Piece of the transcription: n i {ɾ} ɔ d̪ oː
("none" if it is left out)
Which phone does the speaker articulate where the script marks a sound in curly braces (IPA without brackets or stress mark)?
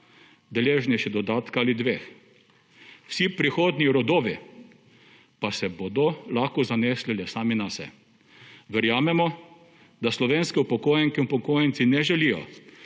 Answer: ɾ